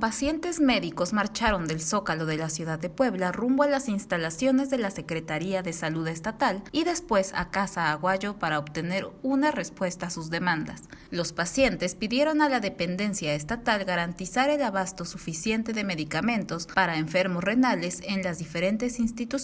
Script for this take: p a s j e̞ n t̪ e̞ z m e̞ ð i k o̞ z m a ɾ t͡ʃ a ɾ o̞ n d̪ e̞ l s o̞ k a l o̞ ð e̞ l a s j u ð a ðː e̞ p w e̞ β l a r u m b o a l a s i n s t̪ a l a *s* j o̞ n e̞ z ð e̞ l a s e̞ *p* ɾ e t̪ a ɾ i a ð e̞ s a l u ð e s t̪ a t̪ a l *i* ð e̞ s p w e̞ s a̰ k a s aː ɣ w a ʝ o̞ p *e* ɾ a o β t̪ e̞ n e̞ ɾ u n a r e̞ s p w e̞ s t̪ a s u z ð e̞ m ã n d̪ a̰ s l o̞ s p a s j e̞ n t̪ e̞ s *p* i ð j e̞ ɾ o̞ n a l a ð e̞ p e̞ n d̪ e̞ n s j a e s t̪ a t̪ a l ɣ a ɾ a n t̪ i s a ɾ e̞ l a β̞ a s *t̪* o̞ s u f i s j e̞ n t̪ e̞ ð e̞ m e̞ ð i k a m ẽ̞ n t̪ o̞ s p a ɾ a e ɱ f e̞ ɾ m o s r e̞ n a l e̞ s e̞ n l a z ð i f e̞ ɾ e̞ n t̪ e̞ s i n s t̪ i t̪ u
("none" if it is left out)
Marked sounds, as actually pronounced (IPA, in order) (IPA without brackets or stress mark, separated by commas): s, k, i, a, p, t̪